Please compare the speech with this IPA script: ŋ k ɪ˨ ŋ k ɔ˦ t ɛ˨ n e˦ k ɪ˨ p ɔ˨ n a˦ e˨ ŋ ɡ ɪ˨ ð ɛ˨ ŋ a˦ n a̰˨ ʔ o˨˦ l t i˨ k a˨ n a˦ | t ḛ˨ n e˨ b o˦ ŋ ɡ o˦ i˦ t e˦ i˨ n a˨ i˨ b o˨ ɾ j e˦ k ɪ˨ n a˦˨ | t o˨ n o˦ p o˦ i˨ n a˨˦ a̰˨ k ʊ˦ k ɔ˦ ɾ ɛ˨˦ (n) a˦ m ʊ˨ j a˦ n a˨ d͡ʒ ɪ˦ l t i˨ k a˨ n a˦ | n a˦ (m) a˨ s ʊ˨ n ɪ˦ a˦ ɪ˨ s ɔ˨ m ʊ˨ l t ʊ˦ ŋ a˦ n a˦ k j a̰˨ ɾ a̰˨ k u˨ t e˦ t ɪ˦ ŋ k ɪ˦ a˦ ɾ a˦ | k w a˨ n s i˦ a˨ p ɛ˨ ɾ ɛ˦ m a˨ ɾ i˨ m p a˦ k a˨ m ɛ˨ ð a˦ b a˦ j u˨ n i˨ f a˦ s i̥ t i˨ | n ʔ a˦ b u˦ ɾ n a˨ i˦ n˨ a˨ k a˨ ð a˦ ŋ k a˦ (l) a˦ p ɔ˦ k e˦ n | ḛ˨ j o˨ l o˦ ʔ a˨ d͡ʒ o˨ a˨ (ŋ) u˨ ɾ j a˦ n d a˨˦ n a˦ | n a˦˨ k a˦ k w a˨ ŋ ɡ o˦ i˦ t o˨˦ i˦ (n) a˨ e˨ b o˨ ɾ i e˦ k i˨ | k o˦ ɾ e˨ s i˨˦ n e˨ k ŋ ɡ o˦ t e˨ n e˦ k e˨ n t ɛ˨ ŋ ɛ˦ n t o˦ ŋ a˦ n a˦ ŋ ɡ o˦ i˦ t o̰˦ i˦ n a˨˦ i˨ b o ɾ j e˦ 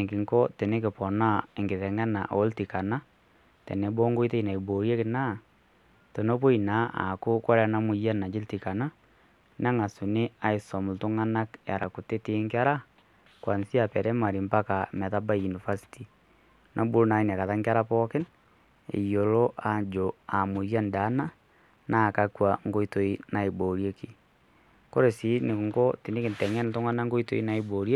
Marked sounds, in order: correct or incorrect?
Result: correct, incorrect: ŋ, incorrect: ɾ, incorrect: m, correct

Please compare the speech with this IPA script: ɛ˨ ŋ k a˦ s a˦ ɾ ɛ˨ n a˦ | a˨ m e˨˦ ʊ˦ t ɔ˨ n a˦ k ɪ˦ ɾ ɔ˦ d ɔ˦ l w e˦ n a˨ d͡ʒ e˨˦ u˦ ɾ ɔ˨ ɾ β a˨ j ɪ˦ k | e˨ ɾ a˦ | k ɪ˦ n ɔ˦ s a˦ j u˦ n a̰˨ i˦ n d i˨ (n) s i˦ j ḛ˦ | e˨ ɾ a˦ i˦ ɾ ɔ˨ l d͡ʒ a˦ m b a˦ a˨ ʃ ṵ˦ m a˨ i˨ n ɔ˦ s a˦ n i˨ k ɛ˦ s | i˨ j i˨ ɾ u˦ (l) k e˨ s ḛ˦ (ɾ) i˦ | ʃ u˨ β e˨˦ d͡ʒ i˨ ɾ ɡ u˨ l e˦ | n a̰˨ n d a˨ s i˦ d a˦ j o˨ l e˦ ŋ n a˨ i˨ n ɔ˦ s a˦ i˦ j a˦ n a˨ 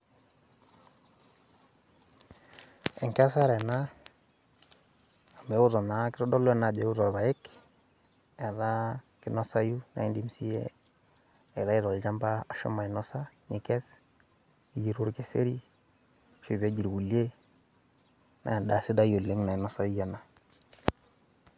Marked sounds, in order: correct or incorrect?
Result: incorrect: m, incorrect: ɾ, correct

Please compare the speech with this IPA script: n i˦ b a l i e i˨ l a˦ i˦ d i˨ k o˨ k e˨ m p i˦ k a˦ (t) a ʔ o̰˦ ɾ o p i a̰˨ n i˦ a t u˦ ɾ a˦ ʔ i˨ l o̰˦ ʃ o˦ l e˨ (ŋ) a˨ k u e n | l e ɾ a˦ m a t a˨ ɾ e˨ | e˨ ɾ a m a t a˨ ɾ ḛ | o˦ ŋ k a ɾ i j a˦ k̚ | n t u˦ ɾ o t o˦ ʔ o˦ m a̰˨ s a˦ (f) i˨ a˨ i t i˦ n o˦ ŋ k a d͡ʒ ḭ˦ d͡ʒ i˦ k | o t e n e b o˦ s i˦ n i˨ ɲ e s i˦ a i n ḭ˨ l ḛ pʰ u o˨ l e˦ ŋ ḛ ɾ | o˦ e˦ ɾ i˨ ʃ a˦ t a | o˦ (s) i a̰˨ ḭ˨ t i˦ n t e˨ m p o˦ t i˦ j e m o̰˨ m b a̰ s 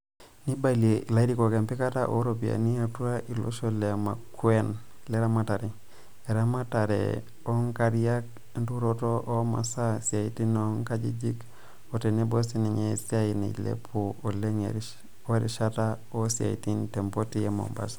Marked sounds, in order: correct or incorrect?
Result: correct, incorrect: m, incorrect: s, correct

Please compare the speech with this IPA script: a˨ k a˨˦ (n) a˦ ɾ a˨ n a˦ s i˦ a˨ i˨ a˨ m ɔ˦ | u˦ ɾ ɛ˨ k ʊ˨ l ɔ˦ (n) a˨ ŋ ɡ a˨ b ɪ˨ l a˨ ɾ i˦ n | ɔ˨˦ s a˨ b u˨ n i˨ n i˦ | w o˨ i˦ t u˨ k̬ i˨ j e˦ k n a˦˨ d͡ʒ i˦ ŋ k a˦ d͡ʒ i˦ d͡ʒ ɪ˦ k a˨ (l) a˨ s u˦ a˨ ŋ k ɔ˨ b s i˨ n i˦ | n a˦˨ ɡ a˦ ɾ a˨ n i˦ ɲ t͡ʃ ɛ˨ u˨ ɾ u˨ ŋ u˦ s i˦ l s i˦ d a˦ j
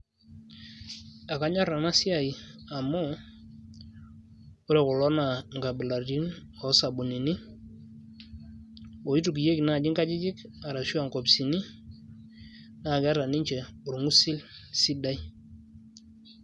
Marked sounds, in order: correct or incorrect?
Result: incorrect: ɲ, correct, incorrect: ɾ

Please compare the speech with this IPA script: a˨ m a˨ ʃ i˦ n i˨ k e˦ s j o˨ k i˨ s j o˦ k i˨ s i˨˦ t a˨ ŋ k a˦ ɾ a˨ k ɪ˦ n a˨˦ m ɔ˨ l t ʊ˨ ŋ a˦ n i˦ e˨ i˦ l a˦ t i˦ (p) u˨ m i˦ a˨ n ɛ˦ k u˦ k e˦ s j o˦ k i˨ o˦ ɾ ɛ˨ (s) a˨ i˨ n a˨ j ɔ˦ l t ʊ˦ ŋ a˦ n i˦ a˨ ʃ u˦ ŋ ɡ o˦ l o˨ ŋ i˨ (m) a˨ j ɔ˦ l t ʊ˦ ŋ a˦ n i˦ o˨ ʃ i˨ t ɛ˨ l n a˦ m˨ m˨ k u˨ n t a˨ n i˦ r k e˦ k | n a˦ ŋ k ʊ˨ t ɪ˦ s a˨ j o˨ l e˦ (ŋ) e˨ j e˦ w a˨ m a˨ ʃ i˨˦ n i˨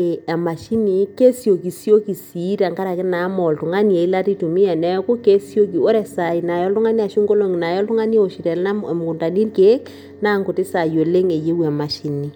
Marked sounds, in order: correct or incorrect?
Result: incorrect: t, correct, incorrect: n, correct

